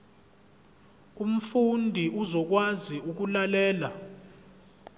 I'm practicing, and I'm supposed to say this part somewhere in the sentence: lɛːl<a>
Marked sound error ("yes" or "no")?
no